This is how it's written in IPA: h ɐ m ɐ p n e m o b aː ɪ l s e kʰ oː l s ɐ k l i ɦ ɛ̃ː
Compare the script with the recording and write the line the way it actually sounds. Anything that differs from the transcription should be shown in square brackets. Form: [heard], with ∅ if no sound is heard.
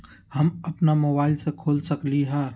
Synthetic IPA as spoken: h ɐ m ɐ p n [a] m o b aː ɪ l s e kʰ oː l s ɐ k l i ɦ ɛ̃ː